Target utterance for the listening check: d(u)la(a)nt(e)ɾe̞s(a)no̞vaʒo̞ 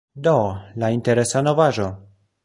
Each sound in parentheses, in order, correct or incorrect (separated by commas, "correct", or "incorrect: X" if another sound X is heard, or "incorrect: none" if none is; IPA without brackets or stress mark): incorrect: o, incorrect: i, correct, correct